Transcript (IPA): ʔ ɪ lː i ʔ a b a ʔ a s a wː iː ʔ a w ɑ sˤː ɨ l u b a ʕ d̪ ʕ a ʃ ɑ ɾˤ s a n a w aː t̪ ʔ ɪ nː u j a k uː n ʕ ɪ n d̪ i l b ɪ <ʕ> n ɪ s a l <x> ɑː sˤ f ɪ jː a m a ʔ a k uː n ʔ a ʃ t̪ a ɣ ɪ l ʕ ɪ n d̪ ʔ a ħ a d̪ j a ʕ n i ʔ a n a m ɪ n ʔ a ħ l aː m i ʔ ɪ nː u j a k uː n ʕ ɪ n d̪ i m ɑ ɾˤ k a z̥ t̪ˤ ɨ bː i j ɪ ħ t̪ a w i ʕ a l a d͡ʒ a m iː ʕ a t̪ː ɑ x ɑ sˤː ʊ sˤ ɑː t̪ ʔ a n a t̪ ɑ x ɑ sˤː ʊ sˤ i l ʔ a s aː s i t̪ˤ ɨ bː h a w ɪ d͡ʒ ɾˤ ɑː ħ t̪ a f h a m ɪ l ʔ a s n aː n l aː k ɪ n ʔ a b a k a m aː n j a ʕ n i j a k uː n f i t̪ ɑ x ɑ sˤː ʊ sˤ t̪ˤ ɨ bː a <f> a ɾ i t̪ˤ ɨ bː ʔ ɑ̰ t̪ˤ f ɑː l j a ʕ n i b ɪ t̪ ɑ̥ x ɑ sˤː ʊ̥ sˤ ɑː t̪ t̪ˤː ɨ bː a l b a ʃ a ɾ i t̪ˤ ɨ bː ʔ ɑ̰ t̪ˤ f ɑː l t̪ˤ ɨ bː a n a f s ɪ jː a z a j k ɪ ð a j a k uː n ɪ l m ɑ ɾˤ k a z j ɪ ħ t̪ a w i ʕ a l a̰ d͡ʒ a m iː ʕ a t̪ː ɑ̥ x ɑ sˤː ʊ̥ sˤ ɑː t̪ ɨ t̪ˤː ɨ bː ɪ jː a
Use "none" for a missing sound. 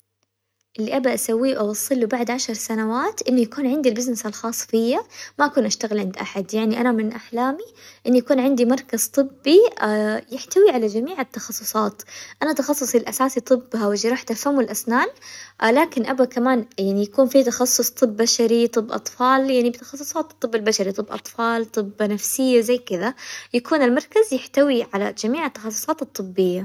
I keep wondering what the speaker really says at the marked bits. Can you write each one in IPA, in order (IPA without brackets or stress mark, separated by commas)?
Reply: z, x, ʃ